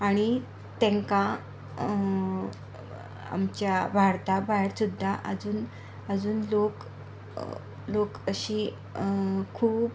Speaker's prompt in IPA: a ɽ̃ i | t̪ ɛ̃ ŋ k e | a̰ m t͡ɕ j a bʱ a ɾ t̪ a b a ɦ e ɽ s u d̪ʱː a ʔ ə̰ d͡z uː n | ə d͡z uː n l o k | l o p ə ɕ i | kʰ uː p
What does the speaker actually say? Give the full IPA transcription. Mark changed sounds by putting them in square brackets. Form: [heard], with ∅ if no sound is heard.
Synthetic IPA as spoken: a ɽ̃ i | t̪ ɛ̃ ŋ k [a] | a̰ m t͡ɕ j a bʱ a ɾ t̪ a b a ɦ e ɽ s u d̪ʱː a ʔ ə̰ d͡z uː n | ə d͡z uː n l o k | l o [k] ə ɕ i | kʰ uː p